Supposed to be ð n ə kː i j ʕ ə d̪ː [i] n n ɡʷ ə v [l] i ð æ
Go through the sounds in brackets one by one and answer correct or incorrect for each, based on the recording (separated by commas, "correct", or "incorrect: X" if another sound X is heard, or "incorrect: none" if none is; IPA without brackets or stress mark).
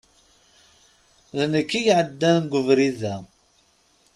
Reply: incorrect: æ, incorrect: ɾ